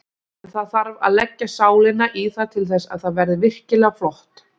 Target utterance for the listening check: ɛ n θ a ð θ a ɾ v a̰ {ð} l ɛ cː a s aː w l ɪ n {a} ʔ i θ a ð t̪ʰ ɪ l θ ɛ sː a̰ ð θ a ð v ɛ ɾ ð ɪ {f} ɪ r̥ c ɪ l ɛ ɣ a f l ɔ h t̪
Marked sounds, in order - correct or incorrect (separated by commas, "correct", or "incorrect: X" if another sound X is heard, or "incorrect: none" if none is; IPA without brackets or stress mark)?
correct, correct, incorrect: v